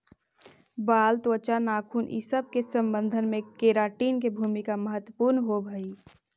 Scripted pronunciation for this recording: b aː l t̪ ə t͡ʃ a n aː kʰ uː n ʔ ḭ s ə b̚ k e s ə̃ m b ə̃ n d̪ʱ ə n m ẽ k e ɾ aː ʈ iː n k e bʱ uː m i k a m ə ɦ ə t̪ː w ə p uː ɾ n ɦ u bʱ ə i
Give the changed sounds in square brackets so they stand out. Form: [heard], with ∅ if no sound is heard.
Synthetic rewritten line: b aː l t̪ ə t͡ʃ a n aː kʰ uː n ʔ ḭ s ə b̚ k e s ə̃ m b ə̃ n d̪ʱ ə n m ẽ k e ɾ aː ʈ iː n k e bʱ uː m i k a m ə ɦ ə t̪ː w ə p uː ɾ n ɦ [o] bʱ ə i